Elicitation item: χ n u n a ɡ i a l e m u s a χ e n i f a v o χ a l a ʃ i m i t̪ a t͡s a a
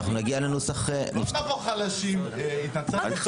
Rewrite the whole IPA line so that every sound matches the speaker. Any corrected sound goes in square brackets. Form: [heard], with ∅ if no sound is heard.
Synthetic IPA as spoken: χ n u n a ɡ i a l e [n] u s a χ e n i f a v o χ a l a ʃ i m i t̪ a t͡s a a